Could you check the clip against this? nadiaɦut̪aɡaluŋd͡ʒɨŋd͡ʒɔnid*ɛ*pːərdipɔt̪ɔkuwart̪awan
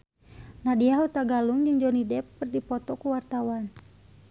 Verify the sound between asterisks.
correct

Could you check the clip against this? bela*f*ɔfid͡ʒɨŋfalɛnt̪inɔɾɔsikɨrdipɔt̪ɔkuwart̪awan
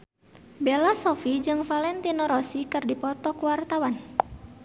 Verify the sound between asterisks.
incorrect: s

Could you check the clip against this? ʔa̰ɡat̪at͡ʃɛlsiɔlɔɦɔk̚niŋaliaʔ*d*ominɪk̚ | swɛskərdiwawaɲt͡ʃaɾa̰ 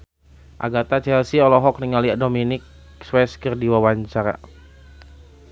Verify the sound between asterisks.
correct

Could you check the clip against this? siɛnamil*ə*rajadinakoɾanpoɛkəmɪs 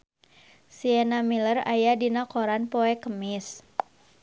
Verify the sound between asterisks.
correct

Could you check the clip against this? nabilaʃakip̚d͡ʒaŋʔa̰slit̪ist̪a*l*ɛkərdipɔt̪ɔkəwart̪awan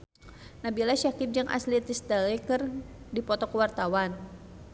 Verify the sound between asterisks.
correct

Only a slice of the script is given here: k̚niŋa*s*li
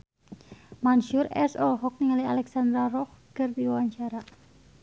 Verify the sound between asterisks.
incorrect: none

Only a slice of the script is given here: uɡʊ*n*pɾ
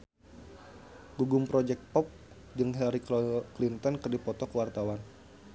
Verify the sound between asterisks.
incorrect: m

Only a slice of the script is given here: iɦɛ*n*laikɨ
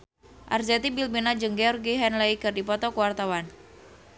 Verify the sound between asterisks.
correct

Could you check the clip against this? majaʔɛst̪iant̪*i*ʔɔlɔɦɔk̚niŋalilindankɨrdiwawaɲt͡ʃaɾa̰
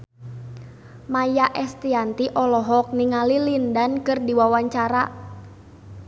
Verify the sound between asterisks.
correct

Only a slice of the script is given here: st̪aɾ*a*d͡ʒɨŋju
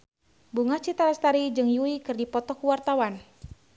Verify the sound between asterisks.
incorrect: i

